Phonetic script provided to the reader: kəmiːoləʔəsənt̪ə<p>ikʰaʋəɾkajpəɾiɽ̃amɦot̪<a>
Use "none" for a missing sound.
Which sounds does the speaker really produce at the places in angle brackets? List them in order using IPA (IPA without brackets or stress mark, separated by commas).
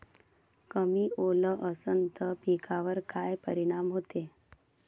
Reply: p, e